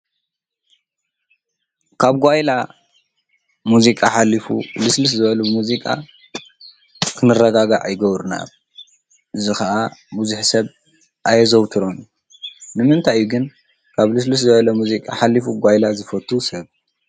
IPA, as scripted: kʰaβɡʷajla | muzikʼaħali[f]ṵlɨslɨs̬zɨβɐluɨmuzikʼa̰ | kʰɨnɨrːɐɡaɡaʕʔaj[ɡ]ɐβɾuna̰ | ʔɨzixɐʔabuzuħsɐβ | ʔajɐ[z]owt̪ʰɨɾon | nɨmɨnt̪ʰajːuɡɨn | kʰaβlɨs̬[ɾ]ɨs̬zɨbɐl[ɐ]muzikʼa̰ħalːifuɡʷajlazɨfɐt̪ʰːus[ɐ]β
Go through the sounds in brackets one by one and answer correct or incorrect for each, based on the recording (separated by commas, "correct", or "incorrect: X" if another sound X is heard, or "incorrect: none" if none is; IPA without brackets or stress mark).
correct, correct, correct, incorrect: l, correct, correct